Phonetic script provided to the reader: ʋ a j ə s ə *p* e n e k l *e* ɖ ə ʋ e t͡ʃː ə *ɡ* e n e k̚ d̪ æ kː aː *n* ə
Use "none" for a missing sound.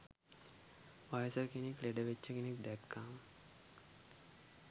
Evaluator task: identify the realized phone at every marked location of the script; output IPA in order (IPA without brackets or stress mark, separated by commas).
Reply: k, e, k, m